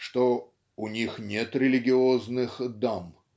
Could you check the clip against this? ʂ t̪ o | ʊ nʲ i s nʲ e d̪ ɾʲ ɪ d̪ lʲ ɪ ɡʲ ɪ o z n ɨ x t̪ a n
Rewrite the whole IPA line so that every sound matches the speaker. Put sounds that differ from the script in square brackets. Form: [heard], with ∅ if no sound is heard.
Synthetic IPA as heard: ʂ t̪ o | ʊ nʲ i [x] nʲ e [t̪] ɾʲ ɪ [∅] lʲ ɪ ɡʲ ɪ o z n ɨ x [d̪] a [m]